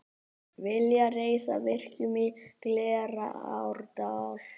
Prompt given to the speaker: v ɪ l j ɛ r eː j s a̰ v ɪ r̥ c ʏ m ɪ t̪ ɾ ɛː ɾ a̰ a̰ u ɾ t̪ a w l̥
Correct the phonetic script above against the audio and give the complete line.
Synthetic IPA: v ɪ l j a r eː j s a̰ v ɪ r̥ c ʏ m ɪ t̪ l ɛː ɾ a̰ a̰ w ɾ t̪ a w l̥